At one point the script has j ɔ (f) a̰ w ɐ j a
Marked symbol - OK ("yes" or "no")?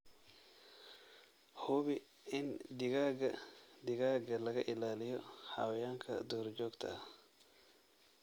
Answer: no